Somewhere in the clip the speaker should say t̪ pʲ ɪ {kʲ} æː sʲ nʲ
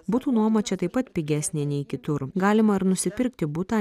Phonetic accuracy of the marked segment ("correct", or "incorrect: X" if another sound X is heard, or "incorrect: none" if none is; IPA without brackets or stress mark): incorrect: ɡʲ